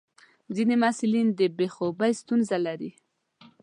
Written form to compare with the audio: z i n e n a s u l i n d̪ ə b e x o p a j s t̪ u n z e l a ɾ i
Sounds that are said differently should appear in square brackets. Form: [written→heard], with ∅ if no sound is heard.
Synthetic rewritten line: z i n e [n→m] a s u l i n d̪ ə b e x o [p→b] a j s t̪ u n z [e→a] l a ɾ i